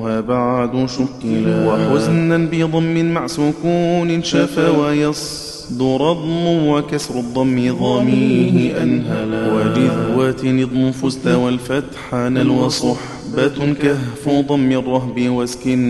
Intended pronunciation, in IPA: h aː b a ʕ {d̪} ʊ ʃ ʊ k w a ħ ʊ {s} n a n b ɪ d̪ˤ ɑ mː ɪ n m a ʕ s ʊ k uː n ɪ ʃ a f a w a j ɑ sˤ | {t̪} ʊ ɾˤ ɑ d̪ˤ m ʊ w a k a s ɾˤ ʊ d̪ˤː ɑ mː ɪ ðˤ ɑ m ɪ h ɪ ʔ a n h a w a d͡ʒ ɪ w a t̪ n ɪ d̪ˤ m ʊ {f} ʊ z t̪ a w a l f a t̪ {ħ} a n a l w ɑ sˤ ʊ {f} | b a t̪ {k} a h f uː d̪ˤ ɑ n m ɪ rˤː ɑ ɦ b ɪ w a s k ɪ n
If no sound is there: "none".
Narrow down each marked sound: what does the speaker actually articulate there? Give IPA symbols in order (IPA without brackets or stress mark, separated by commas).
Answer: d̪, z, d̪, f, ħ, ħ, k